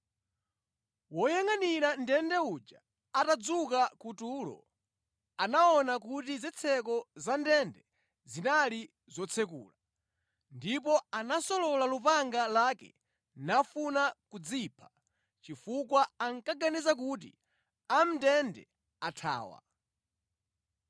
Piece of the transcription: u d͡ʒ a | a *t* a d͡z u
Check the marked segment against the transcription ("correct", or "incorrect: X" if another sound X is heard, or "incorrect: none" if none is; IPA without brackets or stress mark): correct